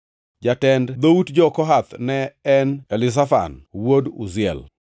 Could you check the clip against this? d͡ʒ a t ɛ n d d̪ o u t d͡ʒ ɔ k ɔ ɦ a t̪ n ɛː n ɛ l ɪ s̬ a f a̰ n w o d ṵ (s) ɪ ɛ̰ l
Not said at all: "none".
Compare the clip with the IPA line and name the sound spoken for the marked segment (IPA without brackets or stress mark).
z